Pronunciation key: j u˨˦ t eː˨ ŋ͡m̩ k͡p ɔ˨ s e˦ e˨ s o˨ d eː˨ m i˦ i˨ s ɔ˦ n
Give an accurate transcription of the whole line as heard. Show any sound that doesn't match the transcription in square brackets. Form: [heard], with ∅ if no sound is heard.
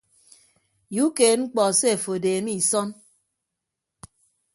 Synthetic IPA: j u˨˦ [k] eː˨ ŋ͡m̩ k͡p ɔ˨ s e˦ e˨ [f] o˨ d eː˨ m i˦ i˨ s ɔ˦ n